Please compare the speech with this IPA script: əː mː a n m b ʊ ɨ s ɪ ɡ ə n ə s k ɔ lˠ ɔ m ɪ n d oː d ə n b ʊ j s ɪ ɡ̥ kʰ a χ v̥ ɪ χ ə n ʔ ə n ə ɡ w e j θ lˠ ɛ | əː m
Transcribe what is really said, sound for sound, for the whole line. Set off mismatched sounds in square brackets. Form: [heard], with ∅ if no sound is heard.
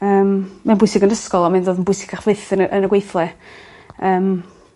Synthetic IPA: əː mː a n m b ʊ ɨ s ɪ ɡ ə n ə s k ɔ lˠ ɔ m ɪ n d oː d ə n b ʊ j s ɪ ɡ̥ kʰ a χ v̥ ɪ [θ] ə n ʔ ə n ə ɡ w e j θ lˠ ɛ | əː m